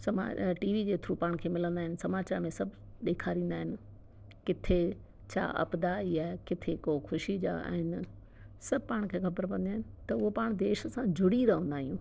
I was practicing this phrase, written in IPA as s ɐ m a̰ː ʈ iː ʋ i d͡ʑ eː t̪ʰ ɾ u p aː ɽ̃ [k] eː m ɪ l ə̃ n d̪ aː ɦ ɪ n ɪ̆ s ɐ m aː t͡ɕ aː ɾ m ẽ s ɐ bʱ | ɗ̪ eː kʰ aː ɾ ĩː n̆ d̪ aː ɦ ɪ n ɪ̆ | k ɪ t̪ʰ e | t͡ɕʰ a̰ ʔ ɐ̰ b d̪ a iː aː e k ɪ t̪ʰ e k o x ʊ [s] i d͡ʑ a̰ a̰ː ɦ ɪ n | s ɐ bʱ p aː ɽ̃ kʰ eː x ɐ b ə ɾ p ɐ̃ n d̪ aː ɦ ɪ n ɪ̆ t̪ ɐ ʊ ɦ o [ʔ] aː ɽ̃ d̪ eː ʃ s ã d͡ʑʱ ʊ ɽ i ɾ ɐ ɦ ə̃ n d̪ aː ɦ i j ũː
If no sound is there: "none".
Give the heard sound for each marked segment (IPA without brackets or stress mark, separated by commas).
kʰ, ʃ, p